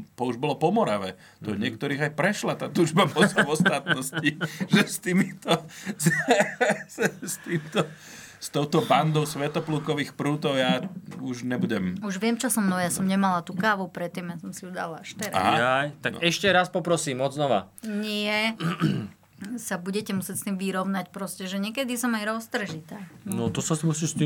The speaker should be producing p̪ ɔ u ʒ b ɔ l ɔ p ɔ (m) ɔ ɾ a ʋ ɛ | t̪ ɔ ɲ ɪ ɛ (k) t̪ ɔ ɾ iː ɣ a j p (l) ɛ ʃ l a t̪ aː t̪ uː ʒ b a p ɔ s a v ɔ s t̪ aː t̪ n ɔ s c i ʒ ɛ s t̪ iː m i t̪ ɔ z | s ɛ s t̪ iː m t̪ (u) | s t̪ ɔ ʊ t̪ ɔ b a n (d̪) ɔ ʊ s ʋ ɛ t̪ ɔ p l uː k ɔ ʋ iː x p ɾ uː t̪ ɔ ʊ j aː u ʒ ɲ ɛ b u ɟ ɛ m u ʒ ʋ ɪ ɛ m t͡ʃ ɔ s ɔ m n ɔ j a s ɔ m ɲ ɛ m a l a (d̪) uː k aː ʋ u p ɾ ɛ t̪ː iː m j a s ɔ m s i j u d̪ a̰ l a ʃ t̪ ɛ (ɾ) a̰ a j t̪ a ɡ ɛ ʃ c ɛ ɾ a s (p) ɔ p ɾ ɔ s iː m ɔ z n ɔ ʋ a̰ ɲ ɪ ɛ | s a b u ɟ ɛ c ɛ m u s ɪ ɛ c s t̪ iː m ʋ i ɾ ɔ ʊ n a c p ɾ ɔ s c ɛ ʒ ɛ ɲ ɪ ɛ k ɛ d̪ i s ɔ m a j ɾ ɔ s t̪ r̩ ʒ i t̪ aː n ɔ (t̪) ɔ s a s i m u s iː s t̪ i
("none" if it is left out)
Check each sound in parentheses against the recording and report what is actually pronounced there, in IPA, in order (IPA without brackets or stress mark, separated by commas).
m, k, ɾ, ɔ, d̪, t̪, ɾ, p, t̪